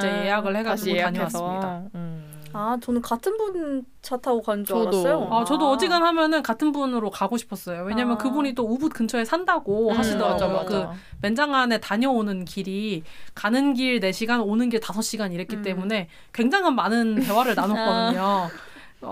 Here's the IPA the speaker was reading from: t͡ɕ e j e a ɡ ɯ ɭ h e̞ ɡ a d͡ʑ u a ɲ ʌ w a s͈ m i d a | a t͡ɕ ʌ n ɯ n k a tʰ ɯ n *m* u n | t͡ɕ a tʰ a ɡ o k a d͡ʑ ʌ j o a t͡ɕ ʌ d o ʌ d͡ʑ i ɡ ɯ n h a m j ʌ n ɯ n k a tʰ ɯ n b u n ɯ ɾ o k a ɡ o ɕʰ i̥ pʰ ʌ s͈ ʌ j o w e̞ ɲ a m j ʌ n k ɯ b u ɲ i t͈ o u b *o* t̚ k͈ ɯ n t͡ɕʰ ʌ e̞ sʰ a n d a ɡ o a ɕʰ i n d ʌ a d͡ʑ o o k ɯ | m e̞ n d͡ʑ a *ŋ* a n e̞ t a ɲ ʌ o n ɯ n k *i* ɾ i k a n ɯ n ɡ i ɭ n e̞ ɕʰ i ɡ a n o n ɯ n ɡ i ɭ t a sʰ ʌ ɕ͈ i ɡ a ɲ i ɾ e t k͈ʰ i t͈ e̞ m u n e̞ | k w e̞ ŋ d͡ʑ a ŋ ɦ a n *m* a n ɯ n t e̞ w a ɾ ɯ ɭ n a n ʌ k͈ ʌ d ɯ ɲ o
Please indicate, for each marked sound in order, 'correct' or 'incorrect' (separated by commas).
incorrect, incorrect, correct, correct, correct